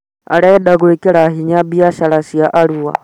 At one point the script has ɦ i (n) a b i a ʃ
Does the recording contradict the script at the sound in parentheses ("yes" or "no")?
yes